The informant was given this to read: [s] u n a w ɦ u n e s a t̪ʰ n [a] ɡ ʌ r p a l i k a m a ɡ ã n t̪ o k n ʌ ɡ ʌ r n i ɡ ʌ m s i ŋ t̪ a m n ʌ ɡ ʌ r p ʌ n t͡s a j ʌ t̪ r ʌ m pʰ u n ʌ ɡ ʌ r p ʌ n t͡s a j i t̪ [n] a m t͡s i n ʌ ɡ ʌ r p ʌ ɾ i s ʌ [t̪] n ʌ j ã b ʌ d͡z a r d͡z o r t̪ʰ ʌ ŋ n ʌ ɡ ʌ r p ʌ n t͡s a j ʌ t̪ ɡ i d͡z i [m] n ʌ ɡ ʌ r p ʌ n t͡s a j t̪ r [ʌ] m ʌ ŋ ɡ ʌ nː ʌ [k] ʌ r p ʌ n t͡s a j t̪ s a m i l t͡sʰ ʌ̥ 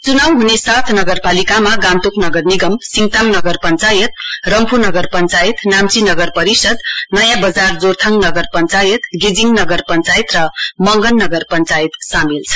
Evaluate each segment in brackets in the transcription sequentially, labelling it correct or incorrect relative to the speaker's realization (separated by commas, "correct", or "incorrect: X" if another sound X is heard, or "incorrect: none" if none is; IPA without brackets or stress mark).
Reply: incorrect: t͡s, incorrect: ʌ, correct, incorrect: d̪, incorrect: ŋ, correct, incorrect: ɡ